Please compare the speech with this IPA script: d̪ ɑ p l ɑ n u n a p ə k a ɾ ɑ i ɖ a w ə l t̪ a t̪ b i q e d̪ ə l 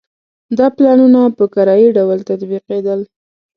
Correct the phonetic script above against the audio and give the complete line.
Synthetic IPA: d̪ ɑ p l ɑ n u n a p ə k a ɾ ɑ i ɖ a w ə l t̪ a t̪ b i q e d̪ ə l